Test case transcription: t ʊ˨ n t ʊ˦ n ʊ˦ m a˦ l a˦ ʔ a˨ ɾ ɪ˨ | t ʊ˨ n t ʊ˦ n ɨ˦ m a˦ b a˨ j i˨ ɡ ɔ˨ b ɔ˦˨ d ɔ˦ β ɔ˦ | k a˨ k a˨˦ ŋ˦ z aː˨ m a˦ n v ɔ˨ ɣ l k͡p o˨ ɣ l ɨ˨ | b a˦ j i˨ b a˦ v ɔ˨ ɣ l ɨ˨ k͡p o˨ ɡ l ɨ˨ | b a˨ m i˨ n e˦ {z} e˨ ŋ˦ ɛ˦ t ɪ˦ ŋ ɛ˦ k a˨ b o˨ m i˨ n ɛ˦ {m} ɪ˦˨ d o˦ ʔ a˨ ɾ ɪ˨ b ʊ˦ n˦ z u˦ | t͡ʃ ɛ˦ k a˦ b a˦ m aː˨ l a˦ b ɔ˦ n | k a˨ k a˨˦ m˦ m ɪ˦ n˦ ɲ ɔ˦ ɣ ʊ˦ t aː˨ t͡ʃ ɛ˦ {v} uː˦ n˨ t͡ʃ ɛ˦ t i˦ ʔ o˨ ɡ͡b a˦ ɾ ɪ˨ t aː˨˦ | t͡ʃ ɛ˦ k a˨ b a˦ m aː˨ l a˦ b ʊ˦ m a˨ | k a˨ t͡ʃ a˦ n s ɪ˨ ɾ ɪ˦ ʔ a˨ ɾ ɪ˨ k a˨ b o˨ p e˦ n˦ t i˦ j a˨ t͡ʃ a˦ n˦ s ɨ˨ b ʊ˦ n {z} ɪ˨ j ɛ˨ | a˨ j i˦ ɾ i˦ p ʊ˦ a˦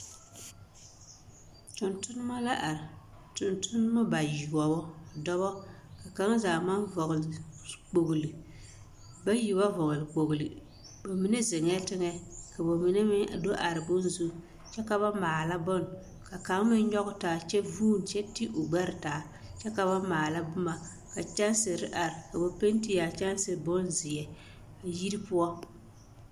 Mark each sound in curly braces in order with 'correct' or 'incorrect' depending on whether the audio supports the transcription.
correct, correct, correct, correct

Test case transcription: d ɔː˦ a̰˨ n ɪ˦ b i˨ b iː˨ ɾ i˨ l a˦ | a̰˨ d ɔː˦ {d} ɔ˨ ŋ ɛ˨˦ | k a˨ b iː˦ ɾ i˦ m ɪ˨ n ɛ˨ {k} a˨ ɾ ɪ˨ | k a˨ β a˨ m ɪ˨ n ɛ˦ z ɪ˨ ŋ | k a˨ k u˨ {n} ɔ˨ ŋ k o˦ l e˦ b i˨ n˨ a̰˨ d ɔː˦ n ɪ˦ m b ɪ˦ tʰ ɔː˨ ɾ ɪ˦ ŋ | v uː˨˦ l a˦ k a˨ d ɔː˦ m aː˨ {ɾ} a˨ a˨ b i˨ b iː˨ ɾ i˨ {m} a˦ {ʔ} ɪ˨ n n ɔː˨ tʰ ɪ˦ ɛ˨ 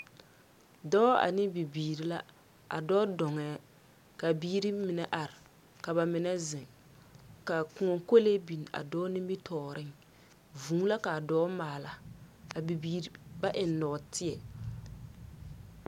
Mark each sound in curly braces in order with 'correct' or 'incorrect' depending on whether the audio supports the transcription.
correct, incorrect, incorrect, incorrect, incorrect, correct

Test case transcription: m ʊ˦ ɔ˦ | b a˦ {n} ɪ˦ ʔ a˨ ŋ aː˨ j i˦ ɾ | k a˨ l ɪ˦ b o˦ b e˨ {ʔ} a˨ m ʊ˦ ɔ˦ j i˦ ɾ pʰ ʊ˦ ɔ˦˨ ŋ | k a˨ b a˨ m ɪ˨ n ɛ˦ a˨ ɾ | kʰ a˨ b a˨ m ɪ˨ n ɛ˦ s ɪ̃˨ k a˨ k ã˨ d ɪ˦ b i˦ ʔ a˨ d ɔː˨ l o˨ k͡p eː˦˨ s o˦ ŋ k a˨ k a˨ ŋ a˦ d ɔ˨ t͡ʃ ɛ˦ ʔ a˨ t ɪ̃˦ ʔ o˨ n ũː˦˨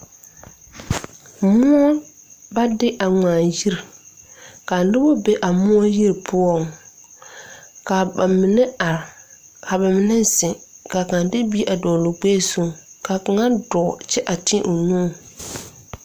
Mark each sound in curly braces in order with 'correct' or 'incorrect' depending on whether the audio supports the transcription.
incorrect, correct

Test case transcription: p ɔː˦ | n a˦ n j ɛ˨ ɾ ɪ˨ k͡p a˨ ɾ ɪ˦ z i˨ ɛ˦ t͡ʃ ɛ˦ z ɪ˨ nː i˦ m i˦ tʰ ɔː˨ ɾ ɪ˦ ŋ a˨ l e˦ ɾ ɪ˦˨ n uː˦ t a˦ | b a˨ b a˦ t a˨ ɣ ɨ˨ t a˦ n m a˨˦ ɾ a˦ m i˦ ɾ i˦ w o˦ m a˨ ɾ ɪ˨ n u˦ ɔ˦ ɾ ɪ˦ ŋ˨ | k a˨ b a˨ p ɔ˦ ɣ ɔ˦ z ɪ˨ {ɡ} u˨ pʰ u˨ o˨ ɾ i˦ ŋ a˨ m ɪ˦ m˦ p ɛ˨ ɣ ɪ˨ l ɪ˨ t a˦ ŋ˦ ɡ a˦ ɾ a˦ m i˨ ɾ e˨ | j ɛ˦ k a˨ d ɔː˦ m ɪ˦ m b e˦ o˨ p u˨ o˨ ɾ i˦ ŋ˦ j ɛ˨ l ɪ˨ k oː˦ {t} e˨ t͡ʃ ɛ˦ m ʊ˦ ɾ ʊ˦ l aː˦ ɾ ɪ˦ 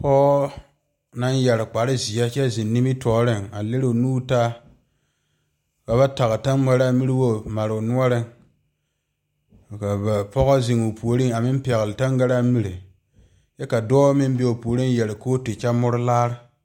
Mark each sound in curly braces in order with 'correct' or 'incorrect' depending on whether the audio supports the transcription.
incorrect, correct

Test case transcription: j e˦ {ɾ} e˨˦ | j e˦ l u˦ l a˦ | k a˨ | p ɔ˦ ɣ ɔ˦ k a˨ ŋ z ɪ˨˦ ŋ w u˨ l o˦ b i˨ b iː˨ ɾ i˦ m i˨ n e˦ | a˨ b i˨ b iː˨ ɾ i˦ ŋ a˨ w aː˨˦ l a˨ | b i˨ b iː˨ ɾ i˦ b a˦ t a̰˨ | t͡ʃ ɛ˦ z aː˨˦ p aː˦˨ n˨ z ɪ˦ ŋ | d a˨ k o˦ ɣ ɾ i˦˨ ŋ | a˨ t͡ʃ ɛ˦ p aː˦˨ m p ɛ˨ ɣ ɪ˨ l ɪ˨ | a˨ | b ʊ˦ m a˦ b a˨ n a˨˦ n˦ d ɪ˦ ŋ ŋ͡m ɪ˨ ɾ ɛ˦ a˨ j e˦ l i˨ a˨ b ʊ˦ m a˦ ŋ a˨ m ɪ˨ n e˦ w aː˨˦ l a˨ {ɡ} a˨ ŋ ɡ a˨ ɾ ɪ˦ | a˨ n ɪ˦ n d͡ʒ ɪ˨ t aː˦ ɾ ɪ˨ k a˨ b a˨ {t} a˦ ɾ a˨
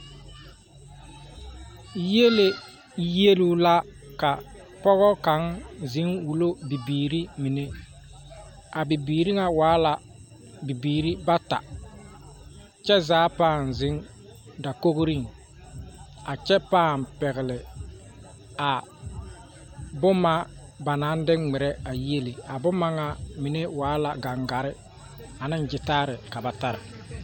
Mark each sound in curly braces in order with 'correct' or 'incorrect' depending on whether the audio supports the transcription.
incorrect, correct, correct

